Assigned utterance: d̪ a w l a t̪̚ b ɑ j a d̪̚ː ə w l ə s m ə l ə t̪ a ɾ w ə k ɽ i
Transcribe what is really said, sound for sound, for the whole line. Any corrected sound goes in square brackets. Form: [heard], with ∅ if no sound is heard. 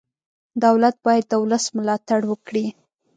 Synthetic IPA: d̪ a w l a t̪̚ b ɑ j a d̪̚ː ə w l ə s m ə l [ɑ] t̪ a [ɽ] w ə k ɽ i

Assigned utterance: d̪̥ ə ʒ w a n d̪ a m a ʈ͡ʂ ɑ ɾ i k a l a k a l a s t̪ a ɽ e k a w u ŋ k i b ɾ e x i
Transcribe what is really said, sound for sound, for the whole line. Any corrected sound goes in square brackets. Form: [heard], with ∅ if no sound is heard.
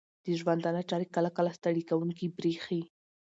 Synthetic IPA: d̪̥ ə ʒ w a n d̪ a [n] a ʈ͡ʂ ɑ ɾ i k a l a k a l a s t̪ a ɽ [i] k a w u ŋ k i b ɾ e x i

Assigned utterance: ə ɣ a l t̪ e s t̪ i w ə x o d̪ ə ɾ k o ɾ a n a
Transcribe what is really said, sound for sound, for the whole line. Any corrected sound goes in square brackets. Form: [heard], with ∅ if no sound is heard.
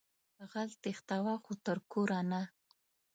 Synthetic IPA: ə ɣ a l t̪ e [x] t̪ [a] w [a] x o [t̪] ə ɾ k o ɾ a n a

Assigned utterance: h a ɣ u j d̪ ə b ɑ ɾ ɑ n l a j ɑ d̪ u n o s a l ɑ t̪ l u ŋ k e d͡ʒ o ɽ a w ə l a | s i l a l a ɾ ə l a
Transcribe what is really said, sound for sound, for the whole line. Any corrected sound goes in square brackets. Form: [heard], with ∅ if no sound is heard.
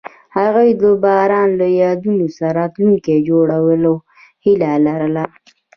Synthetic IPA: h a ɣ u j d̪ ə b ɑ ɾ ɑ n l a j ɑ d̪ u n o s a [ɾ] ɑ t̪ l u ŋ k e d͡ʒ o ɽ a w ə l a | [h] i l a l a ɾ ə l a

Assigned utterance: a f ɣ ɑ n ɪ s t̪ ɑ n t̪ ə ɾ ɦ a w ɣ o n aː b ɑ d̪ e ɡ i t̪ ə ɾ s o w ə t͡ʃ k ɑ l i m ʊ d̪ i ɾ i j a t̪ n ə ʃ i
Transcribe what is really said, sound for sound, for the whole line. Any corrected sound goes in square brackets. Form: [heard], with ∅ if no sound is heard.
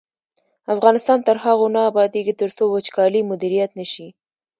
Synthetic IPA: a f ɣ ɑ n ɪ s t̪ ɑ n t̪ ə ɾ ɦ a [∅] ɣ o n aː b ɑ d̪ e ɡ i t̪ ə ɾ s o w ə t͡ʃ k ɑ l i m ʊ d̪ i ɾ i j a t̪ n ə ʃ i

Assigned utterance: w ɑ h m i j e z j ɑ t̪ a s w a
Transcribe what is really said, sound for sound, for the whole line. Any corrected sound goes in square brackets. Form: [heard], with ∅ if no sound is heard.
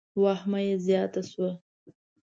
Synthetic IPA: w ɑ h m [a] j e z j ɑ t̪ a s w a

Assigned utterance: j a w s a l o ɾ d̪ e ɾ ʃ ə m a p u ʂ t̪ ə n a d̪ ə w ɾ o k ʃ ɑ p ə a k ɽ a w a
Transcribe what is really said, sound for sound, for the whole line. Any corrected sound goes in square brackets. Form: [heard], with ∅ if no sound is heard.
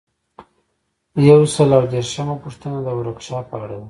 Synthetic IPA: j a w s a l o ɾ d̪ e ɾ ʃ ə m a p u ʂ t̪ ə n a d̪ ə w ɾ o k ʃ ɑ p ə a [∅] ɽ a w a

